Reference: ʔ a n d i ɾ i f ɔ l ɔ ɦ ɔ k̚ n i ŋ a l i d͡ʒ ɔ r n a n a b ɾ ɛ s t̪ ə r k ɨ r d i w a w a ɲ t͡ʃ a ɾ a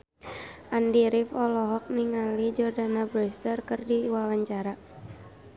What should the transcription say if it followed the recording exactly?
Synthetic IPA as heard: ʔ a n d i ɾ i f ɔ l ɔ ɦ ɔ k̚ n i ŋ a l i d͡ʒ ɔ r d a n a b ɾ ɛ s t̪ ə r k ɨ r d i w a w a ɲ t͡ʃ a ɾ a